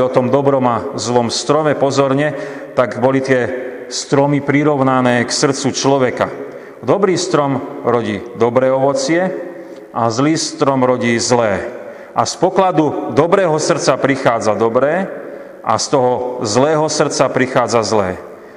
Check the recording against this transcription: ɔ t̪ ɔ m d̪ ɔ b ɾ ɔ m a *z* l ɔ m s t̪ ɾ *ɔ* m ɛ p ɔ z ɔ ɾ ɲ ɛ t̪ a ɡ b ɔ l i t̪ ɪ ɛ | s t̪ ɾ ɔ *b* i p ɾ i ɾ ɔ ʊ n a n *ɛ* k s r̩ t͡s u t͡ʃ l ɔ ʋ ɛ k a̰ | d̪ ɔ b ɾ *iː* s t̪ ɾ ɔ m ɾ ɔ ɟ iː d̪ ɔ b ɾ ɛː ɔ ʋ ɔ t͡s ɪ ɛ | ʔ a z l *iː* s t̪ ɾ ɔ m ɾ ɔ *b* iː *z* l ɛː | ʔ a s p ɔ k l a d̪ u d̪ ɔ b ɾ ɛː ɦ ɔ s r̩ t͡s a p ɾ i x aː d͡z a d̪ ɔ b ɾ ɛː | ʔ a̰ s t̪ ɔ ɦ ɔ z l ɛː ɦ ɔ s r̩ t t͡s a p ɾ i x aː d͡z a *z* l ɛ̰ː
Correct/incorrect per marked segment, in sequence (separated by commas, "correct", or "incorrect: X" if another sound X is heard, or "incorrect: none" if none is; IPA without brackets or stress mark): correct, correct, incorrect: m, incorrect: ɛː, correct, correct, incorrect: ɟ, correct, correct